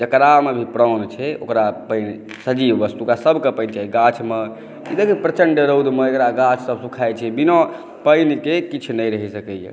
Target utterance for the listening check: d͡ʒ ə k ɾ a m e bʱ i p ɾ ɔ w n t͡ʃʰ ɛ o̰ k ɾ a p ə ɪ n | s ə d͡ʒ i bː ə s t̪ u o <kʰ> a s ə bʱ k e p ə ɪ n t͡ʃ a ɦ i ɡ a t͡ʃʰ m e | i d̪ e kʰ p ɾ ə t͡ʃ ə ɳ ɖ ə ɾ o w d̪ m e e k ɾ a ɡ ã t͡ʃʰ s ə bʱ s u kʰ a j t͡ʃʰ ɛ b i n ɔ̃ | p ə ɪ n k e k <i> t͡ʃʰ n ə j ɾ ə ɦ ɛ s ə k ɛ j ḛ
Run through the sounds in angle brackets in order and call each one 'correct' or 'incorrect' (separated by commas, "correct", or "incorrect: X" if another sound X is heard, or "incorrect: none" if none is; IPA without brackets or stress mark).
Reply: incorrect: k, correct